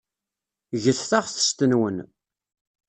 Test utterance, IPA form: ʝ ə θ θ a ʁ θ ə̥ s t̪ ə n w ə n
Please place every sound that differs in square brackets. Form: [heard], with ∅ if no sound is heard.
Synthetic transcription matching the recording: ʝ ə θ θ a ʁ θ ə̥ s t̪ ə n w ə n